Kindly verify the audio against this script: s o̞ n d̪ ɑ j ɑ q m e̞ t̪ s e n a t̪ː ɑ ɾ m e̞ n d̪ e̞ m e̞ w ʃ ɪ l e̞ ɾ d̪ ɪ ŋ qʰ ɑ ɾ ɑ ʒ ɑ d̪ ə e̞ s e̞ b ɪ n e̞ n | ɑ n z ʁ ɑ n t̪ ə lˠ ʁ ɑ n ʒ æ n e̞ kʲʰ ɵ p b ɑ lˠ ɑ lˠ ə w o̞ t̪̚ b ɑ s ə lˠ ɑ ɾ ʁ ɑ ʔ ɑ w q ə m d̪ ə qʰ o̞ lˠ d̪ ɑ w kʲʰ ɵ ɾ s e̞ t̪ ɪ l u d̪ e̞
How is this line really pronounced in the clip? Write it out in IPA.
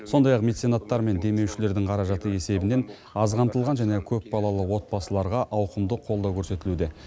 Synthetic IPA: s o̞ n d̪ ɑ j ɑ q m e̞ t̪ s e n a t̪ː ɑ ɾ m e̞ n d̪ e̞ m e̞ w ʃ ɪ l e̞ ɾ d̪ ɪ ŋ qʰ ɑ ɾ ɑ ʒ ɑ t̪ ə e̞ s e̞ b ɪ n e̞ n | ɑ z ʁ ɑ n t̪ ə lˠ ʁ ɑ n ʒ æ n e̞ kʲʰ ɵ p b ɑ lˠ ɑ lˠ ə w o̞ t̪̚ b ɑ s ə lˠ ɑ ɾ ʁ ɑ ʔ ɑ w q ə m d̪ ə qʰ o̞ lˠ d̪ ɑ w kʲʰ ɵ ɾ s e̞ t̪ ɪ l u d̪ e̞